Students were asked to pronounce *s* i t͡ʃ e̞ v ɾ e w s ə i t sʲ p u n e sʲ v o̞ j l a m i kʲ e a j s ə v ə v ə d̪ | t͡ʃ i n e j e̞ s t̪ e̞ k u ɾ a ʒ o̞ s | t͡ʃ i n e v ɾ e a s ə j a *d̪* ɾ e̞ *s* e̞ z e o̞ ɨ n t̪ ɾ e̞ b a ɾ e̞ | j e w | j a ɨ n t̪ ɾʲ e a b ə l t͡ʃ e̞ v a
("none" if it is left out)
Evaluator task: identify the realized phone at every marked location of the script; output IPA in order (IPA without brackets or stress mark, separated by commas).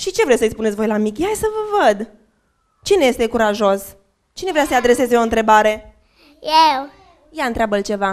ʃ, d̪, s